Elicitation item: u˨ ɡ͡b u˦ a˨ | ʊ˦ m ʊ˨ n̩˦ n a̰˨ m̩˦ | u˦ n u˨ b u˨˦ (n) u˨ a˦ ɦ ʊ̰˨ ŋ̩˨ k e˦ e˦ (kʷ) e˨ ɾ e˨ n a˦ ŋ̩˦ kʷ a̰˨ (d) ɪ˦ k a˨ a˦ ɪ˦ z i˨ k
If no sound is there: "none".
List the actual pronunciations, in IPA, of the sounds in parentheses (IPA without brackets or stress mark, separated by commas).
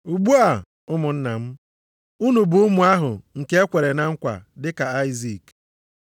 m, kʷ, d